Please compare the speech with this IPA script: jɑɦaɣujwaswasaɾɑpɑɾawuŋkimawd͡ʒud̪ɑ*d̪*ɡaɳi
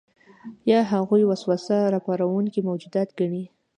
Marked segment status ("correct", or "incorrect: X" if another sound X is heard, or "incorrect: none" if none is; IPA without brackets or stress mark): incorrect: t̪